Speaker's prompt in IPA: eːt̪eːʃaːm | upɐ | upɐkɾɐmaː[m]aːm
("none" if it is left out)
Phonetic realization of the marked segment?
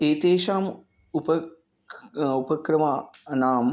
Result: n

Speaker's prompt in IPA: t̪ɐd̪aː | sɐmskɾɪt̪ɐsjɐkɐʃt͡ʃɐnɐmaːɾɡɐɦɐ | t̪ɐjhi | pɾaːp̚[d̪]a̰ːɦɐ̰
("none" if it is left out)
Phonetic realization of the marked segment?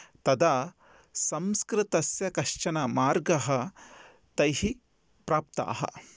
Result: t̪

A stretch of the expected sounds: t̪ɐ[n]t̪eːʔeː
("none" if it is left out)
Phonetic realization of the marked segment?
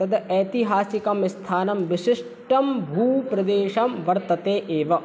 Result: none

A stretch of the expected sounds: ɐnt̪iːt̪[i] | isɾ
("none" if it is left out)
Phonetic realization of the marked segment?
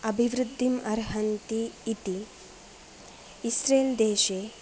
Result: i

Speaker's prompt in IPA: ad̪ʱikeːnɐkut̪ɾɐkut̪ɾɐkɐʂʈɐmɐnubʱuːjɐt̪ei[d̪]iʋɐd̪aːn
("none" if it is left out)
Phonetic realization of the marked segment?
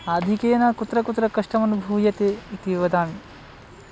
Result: t̪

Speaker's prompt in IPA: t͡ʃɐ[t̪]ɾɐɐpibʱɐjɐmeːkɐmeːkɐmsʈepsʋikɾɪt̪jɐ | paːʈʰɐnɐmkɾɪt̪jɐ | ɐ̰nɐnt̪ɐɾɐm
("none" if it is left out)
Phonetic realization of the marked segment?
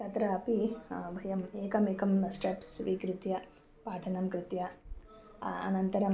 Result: t̪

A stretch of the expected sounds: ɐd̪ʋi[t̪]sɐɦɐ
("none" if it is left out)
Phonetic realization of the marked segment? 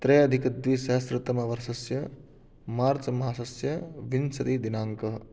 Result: none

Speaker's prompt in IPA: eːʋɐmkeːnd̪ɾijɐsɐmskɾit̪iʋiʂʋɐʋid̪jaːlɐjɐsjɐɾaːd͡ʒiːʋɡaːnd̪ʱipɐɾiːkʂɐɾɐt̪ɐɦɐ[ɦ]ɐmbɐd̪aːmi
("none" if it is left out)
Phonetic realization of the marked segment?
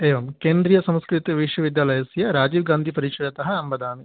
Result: none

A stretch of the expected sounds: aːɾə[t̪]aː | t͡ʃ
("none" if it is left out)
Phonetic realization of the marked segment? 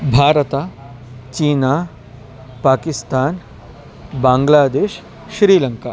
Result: t̪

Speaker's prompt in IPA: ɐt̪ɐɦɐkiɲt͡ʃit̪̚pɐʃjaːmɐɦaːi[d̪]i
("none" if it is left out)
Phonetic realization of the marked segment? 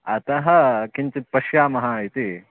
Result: t̪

